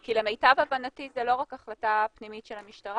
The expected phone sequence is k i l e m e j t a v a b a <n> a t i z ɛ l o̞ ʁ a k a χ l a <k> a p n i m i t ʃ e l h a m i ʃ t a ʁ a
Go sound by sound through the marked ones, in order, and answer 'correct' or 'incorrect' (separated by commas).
correct, incorrect